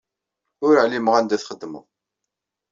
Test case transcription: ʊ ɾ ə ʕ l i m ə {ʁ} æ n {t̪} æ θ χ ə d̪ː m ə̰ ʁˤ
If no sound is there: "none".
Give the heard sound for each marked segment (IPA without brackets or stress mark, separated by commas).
ʁ, d̪